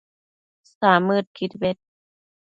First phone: s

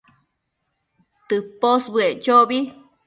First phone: t̪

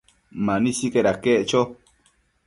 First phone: m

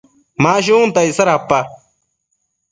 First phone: m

